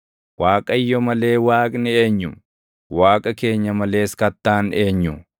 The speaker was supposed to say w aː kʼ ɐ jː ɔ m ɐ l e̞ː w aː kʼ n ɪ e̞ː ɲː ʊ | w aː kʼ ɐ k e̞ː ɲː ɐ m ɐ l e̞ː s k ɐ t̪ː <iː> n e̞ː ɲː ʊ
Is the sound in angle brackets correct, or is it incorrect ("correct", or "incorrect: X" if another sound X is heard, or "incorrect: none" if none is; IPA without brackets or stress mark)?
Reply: incorrect: aː